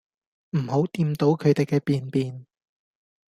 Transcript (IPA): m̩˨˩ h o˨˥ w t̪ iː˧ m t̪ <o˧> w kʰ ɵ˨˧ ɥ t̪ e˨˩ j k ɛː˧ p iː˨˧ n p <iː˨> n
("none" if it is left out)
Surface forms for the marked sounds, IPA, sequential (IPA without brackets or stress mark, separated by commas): o˨˥, iː˨